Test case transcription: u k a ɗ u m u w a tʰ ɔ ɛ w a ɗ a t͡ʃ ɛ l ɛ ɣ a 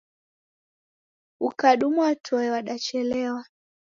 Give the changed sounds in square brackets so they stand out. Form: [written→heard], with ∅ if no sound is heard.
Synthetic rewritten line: u k a ɗ u m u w a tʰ ɔ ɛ w a ɗ a t͡ʃ ɛ l ɛ [ɣ→w] a